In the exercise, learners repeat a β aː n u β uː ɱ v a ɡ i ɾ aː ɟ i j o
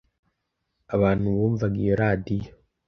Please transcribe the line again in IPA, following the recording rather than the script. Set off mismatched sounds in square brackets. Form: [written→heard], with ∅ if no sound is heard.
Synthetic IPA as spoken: a β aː n u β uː ɱ v a ɡ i ɾ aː [ɟ→d] i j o